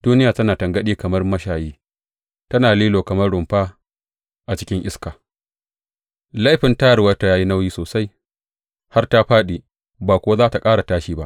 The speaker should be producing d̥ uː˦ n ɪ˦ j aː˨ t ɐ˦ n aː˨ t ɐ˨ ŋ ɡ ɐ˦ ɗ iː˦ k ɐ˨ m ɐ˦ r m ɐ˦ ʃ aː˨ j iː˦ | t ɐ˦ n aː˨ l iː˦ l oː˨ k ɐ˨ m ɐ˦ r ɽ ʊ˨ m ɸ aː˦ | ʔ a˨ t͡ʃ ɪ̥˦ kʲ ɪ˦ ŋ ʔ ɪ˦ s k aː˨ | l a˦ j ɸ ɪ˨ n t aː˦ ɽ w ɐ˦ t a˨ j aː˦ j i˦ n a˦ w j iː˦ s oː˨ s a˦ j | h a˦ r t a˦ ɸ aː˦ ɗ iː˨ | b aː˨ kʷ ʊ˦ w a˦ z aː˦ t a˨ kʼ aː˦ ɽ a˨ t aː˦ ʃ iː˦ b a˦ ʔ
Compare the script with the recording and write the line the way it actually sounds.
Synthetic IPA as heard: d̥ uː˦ n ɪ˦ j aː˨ t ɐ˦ n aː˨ t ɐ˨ ŋ ɡ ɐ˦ ɗ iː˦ k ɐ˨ m ɐ˦ r m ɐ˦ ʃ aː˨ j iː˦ | t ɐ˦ n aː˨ l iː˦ l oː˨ k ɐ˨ m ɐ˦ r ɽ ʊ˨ m ɸ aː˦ | ʔ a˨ t͡ʃ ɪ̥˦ kʲ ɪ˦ ŋ ʔ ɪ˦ s k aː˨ | l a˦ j ɸ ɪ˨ n t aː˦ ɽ w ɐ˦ t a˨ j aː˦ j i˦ n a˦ w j iː˦ s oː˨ s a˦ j | h a˦ r t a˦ ɸ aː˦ ɗ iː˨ | b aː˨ kʷ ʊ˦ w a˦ z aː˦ t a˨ kʼ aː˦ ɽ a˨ t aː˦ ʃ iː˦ b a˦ ʔ